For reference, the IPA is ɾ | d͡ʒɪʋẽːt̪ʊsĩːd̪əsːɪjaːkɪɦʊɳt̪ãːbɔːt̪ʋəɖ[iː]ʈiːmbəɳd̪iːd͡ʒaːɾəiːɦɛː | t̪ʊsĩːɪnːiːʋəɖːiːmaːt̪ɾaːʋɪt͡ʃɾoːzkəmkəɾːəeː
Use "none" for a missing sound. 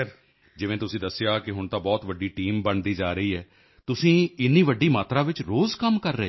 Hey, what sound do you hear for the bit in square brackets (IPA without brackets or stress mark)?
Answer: iː